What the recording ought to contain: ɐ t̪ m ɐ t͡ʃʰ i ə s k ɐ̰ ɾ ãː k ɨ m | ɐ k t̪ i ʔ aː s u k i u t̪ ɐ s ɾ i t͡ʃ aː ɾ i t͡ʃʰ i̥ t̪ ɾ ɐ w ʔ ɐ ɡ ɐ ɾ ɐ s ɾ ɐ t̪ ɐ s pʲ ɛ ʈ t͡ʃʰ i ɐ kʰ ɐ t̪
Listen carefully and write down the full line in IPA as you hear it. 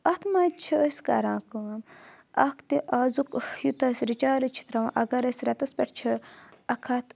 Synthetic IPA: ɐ t̪ m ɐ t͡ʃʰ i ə s k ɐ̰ ɾ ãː k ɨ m | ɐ k t̪ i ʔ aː z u k j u t̪ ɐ s ɾ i t͡ʃ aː ɾ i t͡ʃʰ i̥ t̪ ɾ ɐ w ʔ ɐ ɡ ɐ ɾ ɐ s ɾ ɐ t̪ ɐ s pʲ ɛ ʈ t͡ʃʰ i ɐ kʰ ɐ t̪

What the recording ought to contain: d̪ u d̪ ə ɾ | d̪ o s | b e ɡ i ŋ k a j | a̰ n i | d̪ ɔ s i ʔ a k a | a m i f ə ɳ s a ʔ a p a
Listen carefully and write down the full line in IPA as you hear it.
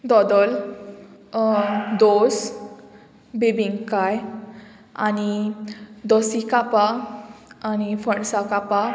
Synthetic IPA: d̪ ɔ d̪ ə l | d̪ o s | b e b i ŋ k a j | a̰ n i | d̪ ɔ s i k a p a | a n i f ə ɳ s a k a p a

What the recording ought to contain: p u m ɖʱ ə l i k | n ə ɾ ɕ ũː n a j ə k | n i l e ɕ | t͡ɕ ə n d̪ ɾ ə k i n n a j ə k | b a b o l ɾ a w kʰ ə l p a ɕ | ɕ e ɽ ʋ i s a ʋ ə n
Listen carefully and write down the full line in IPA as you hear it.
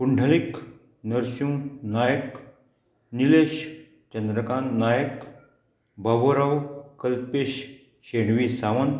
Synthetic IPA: p u ɳ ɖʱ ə l i k | n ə ɾ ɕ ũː n a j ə k | n i l e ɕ | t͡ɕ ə n d̪ ɾ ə k a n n a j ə k | b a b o ɾ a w k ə l p e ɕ | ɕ e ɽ ʋ i s a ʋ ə n

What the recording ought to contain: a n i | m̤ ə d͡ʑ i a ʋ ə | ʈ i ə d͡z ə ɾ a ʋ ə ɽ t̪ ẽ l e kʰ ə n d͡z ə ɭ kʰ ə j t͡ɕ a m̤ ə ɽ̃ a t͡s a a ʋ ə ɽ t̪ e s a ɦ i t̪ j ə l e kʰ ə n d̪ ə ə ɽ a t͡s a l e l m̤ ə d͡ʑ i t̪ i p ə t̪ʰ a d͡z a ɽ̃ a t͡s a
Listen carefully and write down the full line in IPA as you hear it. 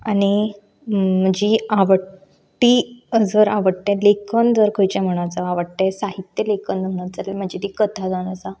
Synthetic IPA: a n i | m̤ ə d͡ʑ i a ʋ ə | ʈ i ə d͡z ə ɾ a ʋ ə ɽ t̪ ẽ l e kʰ ə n d͡z ə ɾ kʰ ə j t͡ɕ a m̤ ə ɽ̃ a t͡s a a ʋ ə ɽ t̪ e s a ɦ i t̪ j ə l e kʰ ə n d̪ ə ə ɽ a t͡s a l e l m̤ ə d͡ʑ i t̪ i k ə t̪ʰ a d͡z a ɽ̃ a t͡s a

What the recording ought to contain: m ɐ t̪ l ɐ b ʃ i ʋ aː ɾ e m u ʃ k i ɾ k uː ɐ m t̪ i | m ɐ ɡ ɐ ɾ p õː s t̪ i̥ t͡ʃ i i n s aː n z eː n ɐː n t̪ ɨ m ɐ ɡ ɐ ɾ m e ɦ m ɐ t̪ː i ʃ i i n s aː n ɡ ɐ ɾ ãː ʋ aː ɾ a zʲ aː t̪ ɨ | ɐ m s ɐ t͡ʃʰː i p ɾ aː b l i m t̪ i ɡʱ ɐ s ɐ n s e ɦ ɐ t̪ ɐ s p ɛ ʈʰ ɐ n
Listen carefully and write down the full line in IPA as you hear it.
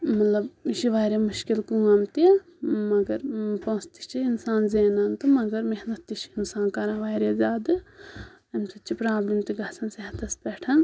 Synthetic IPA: m ɐ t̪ l ɐ b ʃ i ʋ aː ɾ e m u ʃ k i l k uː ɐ m t̪ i | m ɐ ɡ ɐ ɾ p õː s t̪ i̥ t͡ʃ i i n s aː n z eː n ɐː n t̪ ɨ m ɐ ɡ ɐ ɾ m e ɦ n ɐ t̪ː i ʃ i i n s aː n k ɐ ɾ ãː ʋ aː ɾ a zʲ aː d̪ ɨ | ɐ m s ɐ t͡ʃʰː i p ɾ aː b l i m t̪ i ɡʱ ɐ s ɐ n s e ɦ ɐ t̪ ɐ s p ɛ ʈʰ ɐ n

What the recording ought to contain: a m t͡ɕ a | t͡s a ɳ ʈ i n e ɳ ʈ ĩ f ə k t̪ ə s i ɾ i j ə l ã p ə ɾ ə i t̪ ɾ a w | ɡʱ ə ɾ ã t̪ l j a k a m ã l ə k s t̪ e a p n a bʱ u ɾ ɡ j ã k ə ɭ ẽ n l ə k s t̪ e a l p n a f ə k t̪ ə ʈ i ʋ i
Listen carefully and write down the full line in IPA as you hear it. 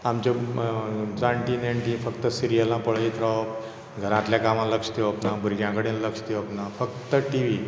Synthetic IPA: a m t͡ɕ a | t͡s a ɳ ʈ i n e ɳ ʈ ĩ f ə k t̪ ə s i ɾ i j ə l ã p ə ɭ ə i t̪ ɾ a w | ɡʱ ə ɾ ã t̪ l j a k a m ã l ə k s t̪ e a p n a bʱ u ɾ ɡ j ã k ə ɽ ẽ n l ə k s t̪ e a p n a f ə k t̪ ə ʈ i ʋ i

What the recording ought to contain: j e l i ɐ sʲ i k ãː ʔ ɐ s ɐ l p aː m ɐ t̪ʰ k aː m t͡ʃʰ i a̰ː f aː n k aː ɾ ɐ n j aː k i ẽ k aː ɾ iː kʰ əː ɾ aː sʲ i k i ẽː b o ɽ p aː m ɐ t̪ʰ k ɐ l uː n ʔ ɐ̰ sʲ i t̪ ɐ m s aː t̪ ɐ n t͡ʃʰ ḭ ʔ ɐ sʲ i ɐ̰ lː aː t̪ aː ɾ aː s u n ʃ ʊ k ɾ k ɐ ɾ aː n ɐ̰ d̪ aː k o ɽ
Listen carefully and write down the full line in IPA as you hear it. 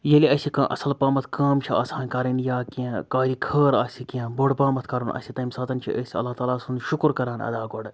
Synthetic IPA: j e l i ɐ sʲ i k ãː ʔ ɐ s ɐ l p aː m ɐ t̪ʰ k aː m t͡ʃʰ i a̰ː s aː n k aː ɾ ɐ n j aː k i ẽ k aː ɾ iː kʰ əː ɾ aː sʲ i k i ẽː b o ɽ p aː m ɐ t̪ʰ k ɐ ɾ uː n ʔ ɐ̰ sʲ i t̪ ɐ m s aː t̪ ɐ n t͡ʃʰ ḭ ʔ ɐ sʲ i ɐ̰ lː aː t̪ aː l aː s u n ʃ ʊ k ɾ k ɐ ɾ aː n ɐ̰ d̪ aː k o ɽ

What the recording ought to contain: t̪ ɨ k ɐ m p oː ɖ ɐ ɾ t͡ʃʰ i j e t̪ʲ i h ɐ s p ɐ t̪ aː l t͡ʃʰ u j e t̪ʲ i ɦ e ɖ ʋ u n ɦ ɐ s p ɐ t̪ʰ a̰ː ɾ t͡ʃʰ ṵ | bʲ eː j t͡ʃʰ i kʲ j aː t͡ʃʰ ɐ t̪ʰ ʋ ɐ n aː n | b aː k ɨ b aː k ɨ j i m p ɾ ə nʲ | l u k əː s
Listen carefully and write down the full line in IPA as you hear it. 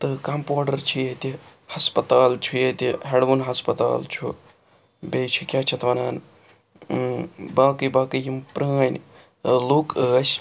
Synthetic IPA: t̪ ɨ k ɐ m p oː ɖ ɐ ɾ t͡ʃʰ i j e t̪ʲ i h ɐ s p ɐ t̪ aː l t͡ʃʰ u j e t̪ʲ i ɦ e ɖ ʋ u n ɦ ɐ s p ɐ t̪ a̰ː l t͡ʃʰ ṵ | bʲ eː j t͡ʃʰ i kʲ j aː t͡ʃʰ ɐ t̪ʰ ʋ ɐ n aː n | b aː k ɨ b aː k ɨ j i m p ɾ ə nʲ | l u k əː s

